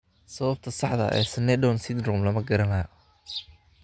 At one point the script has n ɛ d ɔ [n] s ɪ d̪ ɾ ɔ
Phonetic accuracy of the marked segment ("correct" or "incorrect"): correct